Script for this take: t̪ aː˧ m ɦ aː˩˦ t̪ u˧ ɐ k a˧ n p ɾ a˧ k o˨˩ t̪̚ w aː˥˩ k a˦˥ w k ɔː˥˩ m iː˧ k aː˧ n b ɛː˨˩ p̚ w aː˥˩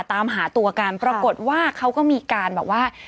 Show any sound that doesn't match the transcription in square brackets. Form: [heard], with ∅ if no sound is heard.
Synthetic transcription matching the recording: t̪ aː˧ m ɦ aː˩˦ t̪ u˧ ɐ k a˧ n p ɾ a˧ k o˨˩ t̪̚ w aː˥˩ [kʰ] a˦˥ w k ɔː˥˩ m iː˧ k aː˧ n b ɛː˨˩ p̚ w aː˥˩

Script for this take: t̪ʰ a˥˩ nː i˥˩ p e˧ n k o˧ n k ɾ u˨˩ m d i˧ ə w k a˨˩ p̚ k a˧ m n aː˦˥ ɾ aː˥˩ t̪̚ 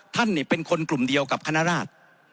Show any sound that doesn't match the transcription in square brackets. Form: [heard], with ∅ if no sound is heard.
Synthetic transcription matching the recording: t̪ʰ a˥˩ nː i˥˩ p e˧ n [kʰ] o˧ n k [l] u˨˩ m d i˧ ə w k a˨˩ p̚ [kʰ] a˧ [∅] n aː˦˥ ɾ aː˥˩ t̪̚

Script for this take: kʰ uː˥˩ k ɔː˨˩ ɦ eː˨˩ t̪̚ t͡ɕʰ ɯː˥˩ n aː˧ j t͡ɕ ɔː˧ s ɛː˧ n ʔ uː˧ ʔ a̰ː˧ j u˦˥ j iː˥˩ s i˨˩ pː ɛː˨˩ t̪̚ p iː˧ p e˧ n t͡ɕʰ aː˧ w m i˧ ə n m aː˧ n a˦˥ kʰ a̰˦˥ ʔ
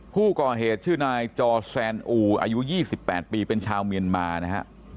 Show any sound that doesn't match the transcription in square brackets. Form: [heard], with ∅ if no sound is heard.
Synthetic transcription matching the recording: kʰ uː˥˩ k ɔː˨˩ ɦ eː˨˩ t̪̚ t͡ɕʰ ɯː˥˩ n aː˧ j t͡ɕ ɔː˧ s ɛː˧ n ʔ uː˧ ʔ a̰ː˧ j u˦˥ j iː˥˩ s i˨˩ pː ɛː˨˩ t̪̚ p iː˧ p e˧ n t͡ɕʰ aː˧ w m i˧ ə n m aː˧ n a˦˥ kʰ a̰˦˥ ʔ

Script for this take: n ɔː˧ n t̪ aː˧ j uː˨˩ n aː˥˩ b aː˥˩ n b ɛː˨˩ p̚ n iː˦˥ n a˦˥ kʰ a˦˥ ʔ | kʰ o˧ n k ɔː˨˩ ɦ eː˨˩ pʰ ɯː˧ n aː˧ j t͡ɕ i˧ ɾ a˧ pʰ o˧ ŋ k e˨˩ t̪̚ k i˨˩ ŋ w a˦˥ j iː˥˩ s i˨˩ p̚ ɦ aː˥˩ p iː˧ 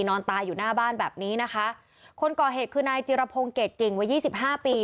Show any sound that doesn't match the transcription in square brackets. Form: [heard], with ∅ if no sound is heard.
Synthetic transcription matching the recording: n ɔː˧ n t̪ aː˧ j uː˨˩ n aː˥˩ b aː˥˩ n b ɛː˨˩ p̚ n iː˦˥ n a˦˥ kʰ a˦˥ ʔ | kʰ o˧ n k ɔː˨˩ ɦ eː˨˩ [kʰ] ɯː˧ n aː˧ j t͡ɕ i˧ ɾ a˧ pʰ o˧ ŋ k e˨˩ t̪̚ k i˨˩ ŋ w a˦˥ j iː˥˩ s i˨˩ p̚ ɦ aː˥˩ p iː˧

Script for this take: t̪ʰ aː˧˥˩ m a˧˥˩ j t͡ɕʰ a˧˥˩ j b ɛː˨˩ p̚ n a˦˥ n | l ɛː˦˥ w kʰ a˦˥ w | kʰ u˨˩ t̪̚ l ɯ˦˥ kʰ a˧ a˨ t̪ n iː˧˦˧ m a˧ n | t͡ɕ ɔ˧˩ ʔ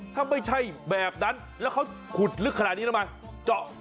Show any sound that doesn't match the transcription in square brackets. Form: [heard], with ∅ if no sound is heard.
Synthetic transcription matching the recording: t̪ʰ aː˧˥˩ m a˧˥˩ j t͡ɕʰ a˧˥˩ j b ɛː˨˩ p̚ n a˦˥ n | l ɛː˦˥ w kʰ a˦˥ w | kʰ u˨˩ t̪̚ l ɯ˦˥ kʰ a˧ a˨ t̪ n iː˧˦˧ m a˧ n | t͡ɕ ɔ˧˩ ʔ

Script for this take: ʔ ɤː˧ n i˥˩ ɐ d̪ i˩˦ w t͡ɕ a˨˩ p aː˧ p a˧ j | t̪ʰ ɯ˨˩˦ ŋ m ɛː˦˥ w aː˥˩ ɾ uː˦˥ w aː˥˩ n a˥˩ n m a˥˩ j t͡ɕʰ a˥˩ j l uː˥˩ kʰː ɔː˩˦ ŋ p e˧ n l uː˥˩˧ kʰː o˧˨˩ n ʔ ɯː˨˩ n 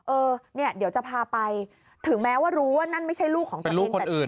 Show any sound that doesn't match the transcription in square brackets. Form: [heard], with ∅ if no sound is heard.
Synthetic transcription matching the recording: ʔ ɤː˧ n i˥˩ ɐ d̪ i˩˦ w t͡ɕ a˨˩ [pʰ] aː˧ p a˧ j | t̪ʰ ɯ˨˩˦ ŋ m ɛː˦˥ w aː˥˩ ɾ uː˦˥ w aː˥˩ n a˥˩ n m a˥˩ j t͡ɕʰ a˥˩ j l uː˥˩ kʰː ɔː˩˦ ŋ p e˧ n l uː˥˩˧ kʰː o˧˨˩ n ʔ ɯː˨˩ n

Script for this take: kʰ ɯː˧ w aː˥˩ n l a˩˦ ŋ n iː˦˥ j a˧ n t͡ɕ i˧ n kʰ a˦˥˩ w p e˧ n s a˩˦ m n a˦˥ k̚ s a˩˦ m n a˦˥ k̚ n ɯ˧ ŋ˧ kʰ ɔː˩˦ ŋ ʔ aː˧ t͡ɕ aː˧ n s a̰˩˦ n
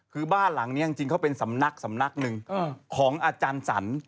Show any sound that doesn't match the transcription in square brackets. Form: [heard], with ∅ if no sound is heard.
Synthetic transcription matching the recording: kʰ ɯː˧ [b] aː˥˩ n l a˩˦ ŋ n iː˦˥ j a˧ [ŋ] t͡ɕ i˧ [ŋ] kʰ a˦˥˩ w p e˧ n s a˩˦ m n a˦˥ k̚ s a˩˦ m n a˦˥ k̚ n ɯ˧ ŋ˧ kʰ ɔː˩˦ ŋ ʔ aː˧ t͡ɕ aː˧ n s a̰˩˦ n

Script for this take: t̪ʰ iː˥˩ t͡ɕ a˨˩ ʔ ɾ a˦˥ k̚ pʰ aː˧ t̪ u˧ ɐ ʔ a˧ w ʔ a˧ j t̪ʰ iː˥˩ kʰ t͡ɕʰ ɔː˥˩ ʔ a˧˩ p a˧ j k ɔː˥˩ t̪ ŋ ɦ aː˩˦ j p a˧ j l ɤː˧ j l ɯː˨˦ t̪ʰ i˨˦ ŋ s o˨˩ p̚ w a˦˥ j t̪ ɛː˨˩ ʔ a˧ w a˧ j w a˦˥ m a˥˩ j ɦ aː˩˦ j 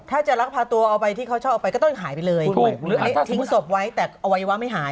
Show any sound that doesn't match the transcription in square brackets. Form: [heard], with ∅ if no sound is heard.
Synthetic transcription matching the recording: t̪ʰ [aː˥˩] t͡ɕ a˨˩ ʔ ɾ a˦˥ k̚ pʰ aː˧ t̪ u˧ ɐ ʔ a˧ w [p] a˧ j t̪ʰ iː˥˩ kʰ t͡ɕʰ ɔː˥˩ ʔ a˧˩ p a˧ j k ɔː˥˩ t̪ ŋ ɦ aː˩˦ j p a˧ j l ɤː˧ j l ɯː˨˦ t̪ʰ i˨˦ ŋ s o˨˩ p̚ w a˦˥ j t̪ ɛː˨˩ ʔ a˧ w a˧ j w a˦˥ m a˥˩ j ɦ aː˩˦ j

